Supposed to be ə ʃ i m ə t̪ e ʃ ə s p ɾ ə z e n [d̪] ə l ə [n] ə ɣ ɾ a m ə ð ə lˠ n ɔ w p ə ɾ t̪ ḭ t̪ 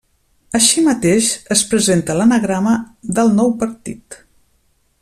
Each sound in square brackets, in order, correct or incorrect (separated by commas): incorrect, correct